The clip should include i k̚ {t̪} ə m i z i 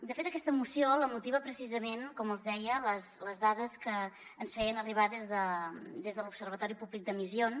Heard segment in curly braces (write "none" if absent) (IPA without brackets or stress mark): d̪